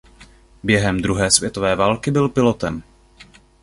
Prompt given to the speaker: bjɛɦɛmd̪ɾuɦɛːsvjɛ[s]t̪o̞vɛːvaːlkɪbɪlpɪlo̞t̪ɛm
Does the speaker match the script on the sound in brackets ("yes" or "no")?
no